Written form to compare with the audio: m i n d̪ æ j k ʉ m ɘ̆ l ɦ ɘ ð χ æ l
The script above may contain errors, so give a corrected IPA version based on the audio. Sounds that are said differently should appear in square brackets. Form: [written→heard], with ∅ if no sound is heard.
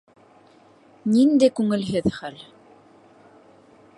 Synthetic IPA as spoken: [m→n] i n d̪ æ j k ʉ [m→ŋ] ɘ̆ l ɦ ɘ ð χ æ l